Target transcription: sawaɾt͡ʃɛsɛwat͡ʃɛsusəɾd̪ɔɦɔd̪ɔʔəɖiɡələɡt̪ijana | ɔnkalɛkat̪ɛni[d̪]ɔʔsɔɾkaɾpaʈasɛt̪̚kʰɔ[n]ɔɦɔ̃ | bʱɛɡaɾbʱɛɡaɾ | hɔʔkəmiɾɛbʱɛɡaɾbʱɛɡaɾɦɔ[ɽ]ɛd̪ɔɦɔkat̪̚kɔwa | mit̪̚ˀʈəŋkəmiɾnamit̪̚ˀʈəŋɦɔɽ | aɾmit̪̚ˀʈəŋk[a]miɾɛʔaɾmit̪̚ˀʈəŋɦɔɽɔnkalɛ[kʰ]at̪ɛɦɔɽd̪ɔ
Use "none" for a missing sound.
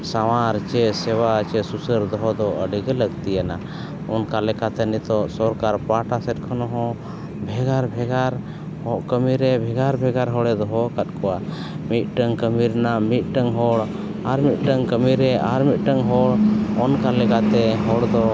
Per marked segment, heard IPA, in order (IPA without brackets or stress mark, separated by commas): t̪, n, ɽ, ə, k